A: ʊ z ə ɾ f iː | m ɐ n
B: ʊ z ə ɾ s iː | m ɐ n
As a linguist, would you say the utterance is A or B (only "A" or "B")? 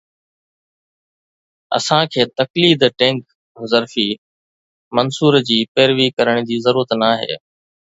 A